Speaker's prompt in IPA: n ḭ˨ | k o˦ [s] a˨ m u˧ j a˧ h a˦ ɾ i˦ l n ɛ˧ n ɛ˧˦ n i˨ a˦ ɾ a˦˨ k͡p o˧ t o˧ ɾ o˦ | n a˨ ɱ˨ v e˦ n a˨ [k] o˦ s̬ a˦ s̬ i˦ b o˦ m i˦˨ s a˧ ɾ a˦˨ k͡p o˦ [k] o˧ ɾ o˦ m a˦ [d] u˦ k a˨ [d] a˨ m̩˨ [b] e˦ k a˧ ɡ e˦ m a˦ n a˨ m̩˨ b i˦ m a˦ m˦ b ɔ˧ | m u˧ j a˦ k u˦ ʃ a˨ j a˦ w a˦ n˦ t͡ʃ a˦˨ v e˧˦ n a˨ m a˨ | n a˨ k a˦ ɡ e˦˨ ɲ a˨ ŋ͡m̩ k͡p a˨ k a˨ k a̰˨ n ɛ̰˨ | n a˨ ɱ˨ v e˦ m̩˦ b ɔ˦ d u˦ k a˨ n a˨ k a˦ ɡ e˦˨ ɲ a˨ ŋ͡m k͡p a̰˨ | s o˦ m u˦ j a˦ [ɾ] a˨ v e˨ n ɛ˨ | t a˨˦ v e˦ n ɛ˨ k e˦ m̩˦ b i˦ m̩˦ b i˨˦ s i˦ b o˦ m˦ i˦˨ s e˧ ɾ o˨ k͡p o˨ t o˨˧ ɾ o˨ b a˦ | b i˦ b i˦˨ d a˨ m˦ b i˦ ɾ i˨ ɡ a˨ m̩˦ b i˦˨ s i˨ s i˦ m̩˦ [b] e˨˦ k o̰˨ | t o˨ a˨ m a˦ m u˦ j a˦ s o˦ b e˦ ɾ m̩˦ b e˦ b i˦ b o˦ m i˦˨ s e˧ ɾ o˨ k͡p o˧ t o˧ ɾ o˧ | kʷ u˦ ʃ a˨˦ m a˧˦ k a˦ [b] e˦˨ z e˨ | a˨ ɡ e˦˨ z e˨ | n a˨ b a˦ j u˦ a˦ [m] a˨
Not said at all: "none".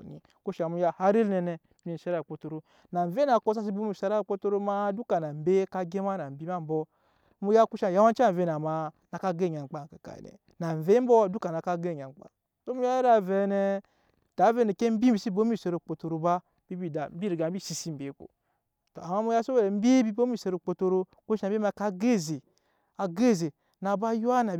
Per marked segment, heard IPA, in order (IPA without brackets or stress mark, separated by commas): ʃ, k, t, d, n, b, ɾ, b, ɡ, n